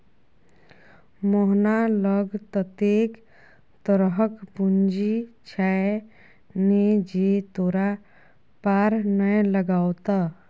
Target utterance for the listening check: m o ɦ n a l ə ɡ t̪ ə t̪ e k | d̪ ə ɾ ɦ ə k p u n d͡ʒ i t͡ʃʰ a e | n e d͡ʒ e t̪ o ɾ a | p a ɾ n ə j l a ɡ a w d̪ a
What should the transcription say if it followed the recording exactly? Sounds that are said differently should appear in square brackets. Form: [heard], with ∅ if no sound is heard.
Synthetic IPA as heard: m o ɦ n a l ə ɡ t̪ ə t̪ e k | [t̪] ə ɾ ɦ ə k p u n d͡ʒ i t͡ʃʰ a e | n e d͡ʒ e t̪ o ɾ a | p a ɾ n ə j l [ə] ɡ a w [t̪] a